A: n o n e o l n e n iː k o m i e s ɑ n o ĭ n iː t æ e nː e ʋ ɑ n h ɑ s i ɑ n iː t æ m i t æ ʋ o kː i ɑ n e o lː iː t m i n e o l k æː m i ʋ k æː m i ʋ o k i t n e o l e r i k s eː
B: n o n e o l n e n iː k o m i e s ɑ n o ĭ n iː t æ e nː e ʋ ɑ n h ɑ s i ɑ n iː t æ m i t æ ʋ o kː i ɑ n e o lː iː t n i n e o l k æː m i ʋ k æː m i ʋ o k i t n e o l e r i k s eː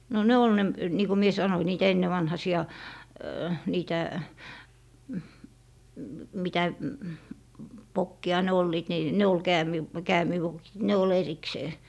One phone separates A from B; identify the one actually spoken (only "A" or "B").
B